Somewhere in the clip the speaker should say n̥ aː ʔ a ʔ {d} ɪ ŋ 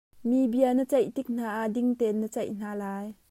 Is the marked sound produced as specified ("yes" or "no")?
yes